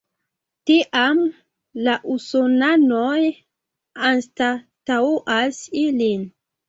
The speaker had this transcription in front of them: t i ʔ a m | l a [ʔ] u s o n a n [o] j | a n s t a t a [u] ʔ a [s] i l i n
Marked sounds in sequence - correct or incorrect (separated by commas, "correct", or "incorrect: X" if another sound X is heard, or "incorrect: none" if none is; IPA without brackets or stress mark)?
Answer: correct, correct, correct, correct